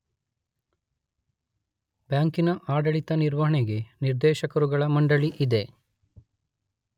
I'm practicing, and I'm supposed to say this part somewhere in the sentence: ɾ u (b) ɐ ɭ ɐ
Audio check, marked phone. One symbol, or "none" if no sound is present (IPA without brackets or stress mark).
ɡ